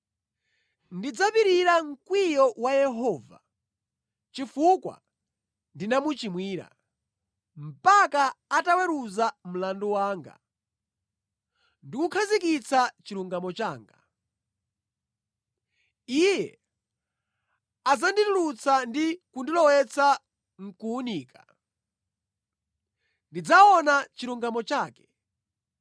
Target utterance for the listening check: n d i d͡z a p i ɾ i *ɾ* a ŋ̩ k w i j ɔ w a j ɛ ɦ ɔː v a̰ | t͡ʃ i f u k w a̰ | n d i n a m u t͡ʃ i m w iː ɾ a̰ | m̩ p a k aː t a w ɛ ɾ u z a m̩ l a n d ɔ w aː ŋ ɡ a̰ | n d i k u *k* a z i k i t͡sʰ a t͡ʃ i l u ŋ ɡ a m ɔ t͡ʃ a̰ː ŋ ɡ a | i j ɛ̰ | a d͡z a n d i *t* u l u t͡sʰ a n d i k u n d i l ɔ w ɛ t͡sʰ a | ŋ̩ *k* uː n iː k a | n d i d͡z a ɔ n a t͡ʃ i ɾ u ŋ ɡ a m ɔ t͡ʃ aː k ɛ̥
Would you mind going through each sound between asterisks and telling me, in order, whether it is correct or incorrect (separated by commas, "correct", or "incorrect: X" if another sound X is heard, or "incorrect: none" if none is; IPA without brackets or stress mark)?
correct, incorrect: kʰ, correct, correct